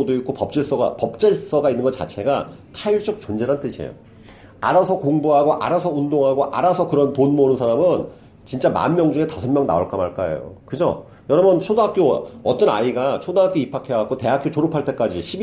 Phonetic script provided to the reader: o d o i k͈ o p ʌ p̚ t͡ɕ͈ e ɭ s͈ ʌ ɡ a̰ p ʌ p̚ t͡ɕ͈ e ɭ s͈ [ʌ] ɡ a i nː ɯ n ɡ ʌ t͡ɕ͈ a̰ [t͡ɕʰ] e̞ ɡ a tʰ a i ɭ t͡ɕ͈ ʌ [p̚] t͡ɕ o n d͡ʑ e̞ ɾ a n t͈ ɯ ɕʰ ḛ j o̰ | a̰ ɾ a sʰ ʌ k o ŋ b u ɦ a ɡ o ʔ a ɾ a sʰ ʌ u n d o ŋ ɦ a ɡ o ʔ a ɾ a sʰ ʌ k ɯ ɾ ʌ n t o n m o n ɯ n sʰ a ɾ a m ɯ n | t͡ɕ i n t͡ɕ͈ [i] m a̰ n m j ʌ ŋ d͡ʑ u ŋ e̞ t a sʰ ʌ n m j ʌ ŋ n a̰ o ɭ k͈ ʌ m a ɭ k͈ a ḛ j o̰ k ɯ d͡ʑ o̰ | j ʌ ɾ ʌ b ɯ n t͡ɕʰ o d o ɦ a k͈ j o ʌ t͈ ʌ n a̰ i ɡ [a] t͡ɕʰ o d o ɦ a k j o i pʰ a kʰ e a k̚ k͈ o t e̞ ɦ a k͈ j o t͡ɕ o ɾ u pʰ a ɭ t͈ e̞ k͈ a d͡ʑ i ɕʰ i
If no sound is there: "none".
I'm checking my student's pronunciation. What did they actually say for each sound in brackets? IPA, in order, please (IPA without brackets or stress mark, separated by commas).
ʌ, t͡ɕʰ, k̚, a, a